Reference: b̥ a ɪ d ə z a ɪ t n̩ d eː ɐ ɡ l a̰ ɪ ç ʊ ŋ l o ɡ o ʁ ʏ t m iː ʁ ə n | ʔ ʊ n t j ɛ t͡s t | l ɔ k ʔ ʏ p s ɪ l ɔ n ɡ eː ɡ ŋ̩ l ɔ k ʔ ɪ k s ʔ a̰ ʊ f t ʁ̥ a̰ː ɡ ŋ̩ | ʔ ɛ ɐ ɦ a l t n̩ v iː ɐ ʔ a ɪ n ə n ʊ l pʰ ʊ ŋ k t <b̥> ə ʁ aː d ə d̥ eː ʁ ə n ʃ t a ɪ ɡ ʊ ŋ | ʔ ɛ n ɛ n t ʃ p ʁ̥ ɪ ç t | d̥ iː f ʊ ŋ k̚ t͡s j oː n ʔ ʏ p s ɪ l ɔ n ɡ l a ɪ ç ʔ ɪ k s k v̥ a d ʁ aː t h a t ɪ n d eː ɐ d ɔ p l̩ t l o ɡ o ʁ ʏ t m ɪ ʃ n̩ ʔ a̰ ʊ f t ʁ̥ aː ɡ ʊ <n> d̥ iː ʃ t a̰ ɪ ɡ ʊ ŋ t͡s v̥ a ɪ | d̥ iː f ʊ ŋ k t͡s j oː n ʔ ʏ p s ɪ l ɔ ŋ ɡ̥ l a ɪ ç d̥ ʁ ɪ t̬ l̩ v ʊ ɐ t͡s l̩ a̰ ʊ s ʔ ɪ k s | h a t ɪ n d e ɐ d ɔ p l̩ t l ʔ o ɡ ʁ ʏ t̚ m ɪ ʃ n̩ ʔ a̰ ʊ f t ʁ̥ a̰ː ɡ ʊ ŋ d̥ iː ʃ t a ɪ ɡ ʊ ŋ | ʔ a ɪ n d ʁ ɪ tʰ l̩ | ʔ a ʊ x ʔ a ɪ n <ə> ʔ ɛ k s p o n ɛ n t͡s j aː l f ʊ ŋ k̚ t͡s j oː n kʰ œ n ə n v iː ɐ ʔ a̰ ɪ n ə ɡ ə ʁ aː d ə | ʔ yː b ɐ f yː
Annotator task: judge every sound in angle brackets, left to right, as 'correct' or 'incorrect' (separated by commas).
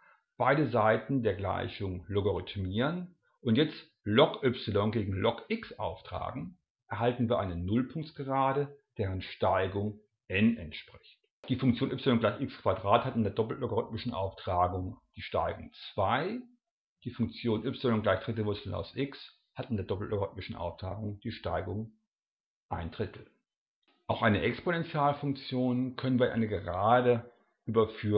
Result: incorrect, incorrect, correct